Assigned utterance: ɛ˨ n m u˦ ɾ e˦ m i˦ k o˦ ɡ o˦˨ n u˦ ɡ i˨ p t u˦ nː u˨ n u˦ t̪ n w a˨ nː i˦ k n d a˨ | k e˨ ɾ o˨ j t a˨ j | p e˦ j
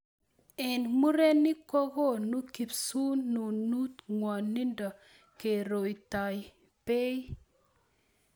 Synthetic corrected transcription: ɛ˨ n m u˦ ɾ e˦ n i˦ k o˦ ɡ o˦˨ n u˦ k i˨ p s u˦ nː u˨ n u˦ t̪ ŋ w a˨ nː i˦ n d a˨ | k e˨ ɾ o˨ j t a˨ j | p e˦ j